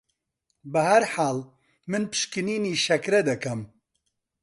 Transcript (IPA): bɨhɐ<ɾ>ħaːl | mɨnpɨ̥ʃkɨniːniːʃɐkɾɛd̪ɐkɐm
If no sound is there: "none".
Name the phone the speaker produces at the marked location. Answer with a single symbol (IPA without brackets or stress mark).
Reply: ɾ